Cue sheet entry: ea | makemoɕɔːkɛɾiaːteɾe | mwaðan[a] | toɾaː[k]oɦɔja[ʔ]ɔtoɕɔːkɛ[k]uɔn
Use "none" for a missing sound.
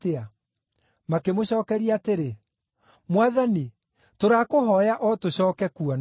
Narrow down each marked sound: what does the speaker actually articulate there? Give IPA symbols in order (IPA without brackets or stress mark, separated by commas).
i, k, ʔ, k